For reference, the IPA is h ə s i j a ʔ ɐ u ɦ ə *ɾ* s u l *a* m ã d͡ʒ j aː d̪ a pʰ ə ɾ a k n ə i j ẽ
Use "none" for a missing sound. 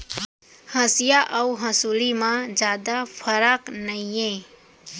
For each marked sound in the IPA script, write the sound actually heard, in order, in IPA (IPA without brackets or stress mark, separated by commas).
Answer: none, i